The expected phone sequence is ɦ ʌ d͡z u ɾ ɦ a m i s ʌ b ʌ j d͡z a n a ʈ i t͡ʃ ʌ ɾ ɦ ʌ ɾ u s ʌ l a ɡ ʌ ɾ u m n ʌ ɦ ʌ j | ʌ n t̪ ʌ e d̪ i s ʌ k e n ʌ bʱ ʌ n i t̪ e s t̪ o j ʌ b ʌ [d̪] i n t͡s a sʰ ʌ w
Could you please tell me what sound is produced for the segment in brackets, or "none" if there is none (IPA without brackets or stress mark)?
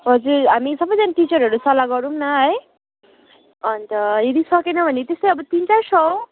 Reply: t̪